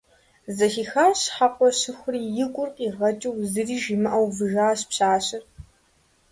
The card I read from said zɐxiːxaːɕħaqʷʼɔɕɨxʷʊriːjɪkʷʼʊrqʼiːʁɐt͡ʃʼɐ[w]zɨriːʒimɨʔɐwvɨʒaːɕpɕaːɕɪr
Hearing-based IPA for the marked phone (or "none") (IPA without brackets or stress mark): w